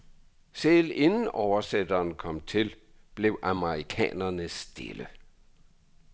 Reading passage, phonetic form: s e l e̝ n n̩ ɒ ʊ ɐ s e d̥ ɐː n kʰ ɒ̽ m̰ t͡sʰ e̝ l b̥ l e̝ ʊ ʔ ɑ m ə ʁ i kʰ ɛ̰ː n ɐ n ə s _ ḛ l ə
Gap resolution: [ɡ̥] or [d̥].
d̥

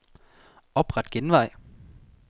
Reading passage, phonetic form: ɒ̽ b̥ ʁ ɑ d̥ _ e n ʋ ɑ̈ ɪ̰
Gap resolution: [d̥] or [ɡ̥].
ɡ̥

